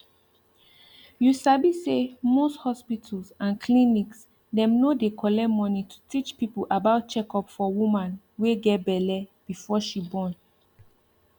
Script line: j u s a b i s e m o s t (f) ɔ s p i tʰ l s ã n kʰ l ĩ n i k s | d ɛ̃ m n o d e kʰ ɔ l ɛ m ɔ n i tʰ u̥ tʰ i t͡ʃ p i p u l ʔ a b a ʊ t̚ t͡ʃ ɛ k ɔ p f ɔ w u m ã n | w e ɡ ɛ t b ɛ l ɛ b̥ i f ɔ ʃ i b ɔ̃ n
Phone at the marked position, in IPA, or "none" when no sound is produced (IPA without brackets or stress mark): h